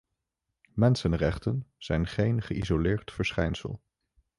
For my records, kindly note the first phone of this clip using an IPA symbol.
m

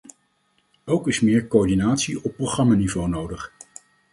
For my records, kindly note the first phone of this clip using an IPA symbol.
o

